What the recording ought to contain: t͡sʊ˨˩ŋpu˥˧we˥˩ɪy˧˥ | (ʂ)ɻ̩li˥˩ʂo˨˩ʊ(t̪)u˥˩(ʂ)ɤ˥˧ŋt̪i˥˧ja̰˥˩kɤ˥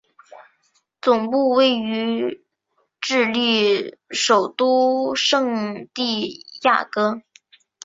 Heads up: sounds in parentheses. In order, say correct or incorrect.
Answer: incorrect, correct, correct

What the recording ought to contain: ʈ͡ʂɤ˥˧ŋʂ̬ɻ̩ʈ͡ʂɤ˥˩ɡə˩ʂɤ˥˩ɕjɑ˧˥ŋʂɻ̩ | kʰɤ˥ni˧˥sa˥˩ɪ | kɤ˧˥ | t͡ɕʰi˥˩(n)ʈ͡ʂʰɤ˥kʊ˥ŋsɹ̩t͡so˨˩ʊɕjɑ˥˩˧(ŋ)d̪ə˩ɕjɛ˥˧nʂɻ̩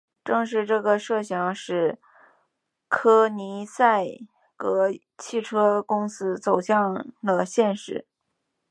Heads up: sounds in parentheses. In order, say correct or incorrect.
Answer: incorrect, correct

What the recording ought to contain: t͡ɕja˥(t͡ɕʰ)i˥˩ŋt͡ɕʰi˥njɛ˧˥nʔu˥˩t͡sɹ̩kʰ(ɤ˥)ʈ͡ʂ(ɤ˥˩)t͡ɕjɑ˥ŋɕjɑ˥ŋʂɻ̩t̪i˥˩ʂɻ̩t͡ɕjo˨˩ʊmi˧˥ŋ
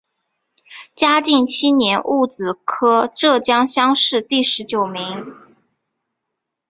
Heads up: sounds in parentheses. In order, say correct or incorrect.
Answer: incorrect, correct, correct

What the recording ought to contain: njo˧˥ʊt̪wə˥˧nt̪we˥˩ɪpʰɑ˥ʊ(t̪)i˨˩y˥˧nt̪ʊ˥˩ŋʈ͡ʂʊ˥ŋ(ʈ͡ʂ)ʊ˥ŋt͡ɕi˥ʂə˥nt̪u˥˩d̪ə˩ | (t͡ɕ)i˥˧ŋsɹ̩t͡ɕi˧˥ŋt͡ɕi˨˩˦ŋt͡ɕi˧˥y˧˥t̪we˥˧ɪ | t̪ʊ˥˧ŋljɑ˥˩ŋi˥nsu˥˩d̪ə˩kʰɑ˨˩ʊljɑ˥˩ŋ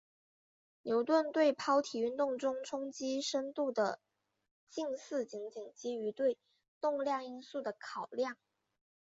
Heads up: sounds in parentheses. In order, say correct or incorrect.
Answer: incorrect, incorrect, correct

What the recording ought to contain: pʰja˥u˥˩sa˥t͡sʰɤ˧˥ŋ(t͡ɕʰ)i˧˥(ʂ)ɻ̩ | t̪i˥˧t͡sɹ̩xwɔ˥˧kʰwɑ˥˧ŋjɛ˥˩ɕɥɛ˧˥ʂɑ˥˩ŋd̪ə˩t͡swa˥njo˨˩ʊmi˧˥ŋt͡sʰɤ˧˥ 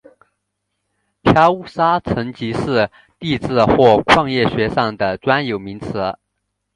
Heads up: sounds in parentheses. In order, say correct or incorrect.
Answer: incorrect, correct

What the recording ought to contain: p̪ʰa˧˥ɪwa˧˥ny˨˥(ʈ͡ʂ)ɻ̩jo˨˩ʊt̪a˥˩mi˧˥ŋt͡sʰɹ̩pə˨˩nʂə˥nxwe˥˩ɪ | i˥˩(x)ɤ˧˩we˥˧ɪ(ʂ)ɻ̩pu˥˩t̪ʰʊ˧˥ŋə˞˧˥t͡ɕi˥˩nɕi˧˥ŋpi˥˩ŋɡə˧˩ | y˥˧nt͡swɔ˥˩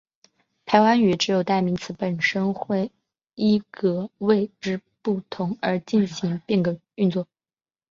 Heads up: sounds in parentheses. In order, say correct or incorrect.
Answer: correct, incorrect, incorrect

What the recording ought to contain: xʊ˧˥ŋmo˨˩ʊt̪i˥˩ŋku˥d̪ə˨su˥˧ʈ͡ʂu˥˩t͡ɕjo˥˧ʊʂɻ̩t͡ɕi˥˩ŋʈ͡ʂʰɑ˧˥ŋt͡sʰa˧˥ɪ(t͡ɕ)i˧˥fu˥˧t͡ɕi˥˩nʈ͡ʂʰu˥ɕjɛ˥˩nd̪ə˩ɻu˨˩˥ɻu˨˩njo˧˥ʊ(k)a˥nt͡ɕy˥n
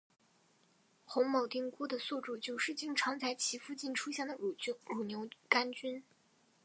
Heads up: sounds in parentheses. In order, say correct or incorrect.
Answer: incorrect, correct

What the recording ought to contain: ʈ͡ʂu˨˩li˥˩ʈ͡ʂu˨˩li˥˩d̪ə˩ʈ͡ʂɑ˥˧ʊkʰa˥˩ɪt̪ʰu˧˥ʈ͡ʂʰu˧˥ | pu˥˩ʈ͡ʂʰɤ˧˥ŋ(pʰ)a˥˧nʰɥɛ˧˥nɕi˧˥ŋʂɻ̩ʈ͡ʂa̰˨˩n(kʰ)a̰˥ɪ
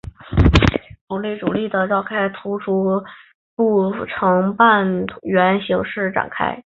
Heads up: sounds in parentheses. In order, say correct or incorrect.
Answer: incorrect, correct

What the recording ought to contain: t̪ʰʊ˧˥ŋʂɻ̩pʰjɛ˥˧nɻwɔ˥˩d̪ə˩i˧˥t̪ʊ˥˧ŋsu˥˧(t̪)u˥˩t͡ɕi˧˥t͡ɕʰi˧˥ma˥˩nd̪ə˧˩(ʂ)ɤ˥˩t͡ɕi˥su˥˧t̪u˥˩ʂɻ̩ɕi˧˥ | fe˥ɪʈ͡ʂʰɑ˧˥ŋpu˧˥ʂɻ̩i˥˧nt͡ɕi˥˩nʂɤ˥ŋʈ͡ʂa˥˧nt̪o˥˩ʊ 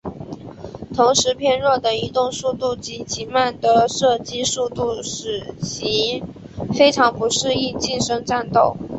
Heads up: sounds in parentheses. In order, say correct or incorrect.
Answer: correct, correct

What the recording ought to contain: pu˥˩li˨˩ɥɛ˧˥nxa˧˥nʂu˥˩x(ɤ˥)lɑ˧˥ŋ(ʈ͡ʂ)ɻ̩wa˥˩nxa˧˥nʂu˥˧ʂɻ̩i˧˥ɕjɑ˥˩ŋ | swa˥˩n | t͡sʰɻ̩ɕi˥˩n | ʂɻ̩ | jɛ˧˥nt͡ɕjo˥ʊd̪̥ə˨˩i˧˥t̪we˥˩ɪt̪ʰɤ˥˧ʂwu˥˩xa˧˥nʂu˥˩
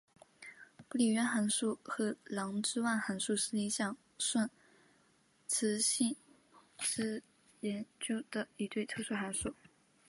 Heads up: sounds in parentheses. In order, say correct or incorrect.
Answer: incorrect, correct

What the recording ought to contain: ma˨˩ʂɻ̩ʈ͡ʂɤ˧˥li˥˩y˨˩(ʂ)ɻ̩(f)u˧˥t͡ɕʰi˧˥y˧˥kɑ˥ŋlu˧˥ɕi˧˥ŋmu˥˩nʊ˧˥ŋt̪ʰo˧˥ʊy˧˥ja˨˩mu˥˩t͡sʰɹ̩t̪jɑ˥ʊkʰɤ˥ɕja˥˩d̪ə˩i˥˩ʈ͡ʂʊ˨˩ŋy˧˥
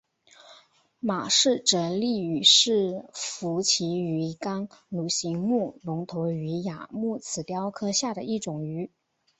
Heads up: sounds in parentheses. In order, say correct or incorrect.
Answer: correct, correct

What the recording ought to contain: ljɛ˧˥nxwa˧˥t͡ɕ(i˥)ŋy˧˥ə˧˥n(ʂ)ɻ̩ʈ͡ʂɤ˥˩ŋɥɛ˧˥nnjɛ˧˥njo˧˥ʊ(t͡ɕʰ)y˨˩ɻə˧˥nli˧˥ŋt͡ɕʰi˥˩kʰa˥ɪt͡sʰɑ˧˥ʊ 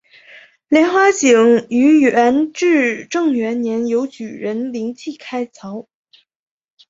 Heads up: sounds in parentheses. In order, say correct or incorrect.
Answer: incorrect, incorrect, incorrect

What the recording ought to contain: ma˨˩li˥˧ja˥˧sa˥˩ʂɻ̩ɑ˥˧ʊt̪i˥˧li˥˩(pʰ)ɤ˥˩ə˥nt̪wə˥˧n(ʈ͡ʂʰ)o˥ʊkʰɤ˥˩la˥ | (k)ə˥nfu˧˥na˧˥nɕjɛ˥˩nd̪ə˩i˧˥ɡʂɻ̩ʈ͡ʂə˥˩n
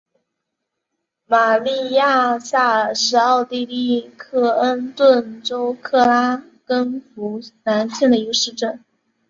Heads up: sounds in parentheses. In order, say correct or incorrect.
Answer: incorrect, incorrect, correct

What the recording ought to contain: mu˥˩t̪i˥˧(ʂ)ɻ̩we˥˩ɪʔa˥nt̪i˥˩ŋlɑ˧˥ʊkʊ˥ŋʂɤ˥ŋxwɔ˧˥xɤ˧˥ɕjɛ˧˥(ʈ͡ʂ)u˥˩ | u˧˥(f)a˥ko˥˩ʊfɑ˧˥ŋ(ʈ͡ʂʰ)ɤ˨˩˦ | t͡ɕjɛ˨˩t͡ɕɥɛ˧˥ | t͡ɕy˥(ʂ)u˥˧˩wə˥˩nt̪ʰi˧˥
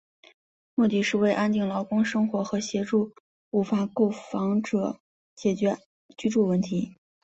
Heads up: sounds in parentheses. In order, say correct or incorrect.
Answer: correct, correct, correct, incorrect, incorrect

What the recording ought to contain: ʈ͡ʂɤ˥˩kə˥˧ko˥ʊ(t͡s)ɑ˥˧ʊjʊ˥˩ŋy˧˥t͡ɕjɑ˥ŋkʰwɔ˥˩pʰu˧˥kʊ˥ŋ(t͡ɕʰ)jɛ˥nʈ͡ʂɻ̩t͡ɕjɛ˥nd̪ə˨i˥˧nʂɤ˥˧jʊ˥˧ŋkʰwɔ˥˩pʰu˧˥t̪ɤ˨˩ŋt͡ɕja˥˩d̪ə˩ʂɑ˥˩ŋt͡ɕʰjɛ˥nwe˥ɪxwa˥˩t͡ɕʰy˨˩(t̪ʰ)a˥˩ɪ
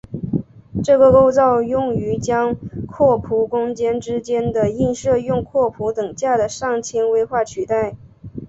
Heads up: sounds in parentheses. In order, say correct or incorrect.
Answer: correct, incorrect, incorrect

